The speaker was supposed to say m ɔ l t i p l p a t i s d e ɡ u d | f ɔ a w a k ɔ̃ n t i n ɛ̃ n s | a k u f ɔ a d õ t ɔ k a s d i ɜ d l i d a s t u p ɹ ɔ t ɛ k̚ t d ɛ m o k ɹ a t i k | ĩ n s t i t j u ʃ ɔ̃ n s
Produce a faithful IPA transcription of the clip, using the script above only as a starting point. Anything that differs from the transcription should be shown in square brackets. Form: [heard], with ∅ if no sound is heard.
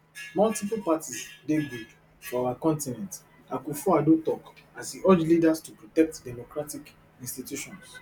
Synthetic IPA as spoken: m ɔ l t i p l p a t i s d e ɡ u d | f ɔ a w a k ɔ̃ n t i n ɛ̃ n [t] | a k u f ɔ a d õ t ɔ k a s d i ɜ [d͡ʒ] l i d a s t u p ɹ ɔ t ɛ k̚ t d ɛ m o k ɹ a t i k | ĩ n s t i t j u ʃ ɔ̃ n s